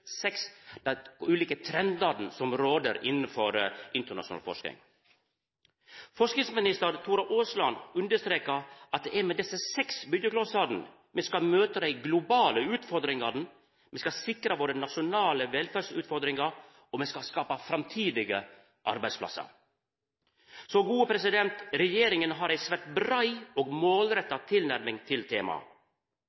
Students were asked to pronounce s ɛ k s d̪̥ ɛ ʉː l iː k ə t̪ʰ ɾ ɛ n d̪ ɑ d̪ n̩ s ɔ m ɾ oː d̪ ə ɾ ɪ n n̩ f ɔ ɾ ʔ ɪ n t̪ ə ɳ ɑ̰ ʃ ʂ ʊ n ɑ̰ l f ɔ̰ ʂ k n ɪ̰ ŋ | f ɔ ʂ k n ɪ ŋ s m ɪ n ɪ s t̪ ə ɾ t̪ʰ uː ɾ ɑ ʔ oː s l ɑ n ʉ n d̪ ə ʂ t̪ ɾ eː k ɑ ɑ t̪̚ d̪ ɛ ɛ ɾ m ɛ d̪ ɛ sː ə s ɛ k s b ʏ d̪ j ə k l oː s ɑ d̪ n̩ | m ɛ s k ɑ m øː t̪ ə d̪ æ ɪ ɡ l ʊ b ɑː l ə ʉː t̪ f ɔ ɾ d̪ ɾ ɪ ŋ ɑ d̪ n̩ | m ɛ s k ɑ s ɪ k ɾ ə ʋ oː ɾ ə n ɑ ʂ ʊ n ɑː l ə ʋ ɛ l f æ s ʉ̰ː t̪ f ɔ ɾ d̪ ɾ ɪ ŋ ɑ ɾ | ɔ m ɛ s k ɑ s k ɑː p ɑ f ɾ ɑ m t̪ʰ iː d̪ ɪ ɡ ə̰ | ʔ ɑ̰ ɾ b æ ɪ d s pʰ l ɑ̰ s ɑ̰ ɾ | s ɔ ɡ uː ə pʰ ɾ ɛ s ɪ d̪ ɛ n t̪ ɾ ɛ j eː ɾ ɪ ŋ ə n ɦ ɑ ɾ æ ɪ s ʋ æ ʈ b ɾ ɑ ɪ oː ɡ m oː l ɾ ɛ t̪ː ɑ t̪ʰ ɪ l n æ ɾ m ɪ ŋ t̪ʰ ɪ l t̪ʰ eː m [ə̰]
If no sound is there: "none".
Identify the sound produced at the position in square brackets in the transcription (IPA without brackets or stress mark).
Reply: ɑ̰